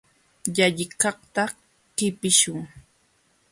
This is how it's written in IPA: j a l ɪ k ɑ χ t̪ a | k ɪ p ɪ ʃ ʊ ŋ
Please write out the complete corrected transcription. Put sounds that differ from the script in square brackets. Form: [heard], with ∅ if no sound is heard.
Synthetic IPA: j a [ʎ] ɪ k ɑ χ t̪ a | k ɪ p ɪ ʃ ʊ ŋ